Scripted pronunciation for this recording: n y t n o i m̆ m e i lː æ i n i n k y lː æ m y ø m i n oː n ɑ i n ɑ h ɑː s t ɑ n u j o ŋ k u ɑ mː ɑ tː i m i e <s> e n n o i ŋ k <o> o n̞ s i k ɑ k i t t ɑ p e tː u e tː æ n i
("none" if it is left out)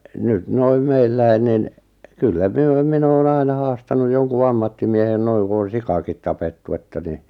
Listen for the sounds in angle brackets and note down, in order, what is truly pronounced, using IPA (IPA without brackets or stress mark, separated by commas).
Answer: h, u